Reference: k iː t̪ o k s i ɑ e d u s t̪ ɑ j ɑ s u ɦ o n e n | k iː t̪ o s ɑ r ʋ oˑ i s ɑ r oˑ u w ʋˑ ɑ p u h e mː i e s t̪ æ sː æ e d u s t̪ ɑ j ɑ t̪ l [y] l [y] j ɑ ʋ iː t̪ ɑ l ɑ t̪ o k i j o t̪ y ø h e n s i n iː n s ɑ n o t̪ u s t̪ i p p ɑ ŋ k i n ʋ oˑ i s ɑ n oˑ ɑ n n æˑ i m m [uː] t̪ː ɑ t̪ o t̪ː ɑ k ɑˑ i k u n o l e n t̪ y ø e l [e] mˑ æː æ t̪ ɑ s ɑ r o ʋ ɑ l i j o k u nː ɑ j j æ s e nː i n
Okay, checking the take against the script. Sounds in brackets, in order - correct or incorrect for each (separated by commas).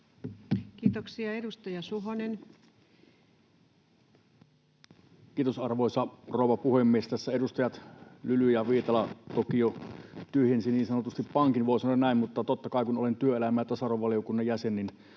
correct, correct, incorrect, incorrect